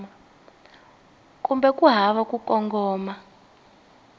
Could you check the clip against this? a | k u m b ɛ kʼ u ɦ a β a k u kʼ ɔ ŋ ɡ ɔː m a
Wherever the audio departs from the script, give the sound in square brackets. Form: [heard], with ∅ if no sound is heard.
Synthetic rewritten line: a | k u m b ɛ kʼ u ɦ a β a k u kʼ ɔ ŋ ɡ ɔː m a